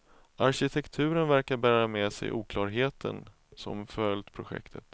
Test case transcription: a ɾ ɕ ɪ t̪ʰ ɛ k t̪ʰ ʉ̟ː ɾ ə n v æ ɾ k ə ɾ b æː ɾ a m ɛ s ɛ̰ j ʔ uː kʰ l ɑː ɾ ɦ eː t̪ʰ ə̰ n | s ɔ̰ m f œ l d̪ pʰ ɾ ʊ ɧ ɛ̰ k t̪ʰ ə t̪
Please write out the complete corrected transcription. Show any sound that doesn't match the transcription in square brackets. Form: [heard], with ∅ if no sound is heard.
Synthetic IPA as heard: a ɾ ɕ ɪ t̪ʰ ɛ k t̪ʰ ʉ̟ː ɾ ə n v æ ɾ k [a] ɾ b æː ɾ a m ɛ s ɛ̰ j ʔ uː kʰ l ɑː ɾ ɦ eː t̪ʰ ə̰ n | s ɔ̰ m f œ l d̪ pʰ ɾ ʊ ɧ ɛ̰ k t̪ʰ ə t̪